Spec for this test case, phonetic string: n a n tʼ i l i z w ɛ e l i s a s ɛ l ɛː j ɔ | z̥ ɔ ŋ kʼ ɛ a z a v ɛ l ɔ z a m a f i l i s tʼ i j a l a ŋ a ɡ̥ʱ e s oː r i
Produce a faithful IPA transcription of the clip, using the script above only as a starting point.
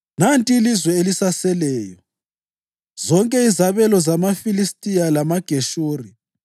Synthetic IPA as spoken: n a n tʼ i l i z w ɛ e l i s a s ɛ l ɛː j ɔ | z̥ ɔ ŋ kʼ ɛ i z a β ɛ l ɔ z a m a f i l i s tʼ i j a l a m a ɡ̥ʱ e ʃ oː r i